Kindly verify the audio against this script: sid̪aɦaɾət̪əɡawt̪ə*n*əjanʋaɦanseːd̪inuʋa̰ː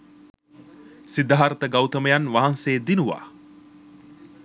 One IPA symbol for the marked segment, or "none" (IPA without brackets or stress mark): m